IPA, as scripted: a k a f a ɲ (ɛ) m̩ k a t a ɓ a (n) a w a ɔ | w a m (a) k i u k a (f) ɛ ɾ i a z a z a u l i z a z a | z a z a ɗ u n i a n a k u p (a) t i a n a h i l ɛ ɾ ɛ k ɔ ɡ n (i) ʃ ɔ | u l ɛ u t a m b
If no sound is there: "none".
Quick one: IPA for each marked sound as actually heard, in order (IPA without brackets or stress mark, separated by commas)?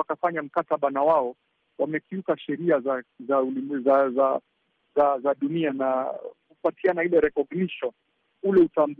a, n, ɛ, ʃ, a, i